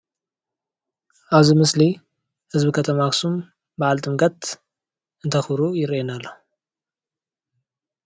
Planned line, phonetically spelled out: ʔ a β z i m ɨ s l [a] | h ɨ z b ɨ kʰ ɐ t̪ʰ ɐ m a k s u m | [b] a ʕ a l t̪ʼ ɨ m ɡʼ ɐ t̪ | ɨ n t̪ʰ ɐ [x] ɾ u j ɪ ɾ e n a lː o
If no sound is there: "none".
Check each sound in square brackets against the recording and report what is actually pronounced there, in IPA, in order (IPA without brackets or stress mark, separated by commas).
i, b, x